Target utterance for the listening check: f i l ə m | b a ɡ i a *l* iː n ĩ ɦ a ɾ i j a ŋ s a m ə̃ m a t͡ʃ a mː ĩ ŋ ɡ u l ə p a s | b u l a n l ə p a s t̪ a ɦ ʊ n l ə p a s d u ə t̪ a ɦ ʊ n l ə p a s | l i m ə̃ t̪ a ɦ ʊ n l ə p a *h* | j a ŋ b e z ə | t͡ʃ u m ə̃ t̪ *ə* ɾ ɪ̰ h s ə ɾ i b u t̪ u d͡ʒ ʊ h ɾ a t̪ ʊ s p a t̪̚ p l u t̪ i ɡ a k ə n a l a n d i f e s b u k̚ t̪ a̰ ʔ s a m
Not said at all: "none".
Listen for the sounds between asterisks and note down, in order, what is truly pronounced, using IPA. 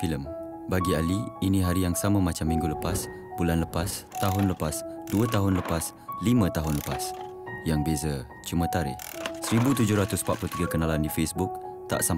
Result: l, s, a

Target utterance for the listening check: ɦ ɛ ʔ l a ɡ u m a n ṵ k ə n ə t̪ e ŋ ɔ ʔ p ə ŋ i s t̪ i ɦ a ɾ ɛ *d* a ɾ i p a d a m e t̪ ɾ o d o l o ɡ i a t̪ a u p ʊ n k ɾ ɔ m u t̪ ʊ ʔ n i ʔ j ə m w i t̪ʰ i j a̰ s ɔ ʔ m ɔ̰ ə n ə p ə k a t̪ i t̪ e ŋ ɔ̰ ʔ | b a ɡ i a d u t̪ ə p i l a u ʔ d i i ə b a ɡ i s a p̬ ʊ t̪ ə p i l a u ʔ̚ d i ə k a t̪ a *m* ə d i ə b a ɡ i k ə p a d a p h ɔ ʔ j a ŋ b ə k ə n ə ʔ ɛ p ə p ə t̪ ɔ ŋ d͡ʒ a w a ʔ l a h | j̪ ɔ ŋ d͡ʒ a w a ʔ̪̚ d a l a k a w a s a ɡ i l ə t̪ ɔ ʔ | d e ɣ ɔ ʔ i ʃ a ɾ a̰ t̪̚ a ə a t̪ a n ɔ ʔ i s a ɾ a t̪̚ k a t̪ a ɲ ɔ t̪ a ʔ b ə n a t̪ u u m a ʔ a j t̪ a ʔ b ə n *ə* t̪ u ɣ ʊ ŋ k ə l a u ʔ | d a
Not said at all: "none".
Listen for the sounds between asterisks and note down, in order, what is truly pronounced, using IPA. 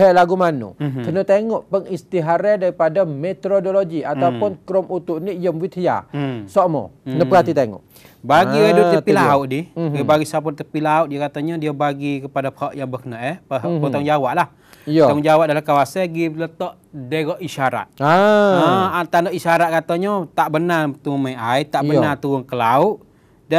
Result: d, ɲ, a

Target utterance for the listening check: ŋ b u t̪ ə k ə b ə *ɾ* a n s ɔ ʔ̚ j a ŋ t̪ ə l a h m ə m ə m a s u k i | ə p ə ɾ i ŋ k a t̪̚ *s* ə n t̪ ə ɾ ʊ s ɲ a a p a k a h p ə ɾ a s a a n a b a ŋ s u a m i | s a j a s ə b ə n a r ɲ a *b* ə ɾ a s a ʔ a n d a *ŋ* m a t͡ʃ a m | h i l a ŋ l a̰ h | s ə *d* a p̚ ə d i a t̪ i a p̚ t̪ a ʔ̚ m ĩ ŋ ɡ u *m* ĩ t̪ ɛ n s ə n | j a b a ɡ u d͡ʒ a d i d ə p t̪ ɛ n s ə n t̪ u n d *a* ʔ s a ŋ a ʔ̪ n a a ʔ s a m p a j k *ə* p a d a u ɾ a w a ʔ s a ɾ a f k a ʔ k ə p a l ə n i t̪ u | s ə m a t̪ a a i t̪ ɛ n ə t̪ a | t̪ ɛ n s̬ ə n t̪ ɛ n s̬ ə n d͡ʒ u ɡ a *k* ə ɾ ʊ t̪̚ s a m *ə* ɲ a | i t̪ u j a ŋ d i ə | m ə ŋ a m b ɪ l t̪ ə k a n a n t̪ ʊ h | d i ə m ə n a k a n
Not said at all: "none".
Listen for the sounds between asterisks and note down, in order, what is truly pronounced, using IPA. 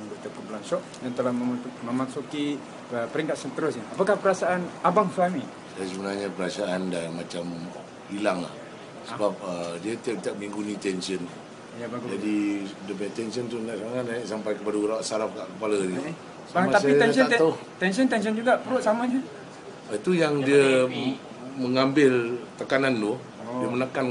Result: l, s, p, n, b, n, a, ə, p, a

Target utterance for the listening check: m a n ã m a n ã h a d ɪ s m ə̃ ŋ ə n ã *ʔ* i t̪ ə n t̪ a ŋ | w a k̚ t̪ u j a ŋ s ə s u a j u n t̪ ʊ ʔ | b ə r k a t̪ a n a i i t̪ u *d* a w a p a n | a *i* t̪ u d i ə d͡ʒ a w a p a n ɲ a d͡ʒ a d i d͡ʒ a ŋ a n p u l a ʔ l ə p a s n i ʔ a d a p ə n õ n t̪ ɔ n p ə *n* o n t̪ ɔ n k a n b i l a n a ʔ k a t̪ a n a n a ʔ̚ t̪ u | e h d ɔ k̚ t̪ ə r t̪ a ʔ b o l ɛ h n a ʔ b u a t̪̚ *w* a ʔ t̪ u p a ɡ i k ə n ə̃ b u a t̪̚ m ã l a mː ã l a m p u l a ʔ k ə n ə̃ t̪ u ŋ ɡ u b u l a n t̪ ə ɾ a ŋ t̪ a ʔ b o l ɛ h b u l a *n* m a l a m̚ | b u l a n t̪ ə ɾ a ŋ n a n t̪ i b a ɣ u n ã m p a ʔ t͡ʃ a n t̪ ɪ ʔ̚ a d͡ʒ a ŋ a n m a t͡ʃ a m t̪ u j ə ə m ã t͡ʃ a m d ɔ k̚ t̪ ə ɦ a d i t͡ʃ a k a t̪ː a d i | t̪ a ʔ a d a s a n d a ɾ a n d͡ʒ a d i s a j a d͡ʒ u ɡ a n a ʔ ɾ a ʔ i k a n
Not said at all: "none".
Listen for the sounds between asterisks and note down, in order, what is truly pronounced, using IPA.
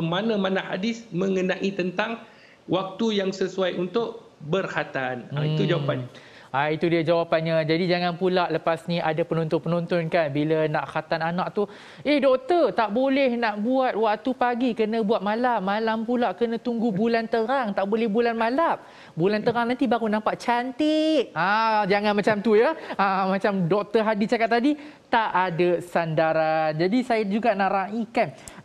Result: ʔ, d͡ʒ, i, n, w, n

